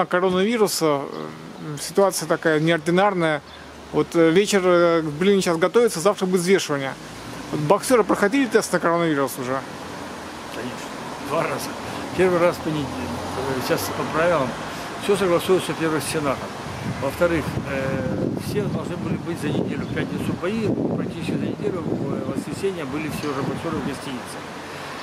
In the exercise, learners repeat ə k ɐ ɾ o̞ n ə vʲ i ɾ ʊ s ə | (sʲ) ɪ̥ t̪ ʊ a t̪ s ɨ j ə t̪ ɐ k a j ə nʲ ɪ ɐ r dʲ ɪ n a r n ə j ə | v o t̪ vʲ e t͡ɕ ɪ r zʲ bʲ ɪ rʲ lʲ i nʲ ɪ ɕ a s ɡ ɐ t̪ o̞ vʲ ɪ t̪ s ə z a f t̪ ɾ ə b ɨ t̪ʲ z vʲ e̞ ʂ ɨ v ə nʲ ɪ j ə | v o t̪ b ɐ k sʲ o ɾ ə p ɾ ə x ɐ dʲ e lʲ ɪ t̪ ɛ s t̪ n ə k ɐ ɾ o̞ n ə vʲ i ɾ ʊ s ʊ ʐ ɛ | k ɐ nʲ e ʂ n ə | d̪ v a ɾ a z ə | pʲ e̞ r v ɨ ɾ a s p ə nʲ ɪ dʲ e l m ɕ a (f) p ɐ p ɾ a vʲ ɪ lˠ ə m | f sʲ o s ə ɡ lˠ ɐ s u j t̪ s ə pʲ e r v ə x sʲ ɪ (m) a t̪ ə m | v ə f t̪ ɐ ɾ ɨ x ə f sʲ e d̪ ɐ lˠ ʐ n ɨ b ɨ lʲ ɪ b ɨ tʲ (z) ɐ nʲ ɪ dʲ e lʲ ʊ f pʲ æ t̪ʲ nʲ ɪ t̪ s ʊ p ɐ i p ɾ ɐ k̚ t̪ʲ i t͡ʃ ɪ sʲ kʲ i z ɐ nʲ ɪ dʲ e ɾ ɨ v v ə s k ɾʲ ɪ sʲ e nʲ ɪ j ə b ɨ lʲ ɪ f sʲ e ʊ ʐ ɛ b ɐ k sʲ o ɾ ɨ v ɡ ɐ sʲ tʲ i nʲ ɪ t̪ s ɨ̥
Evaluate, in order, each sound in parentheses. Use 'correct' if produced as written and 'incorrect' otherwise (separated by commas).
correct, incorrect, incorrect, correct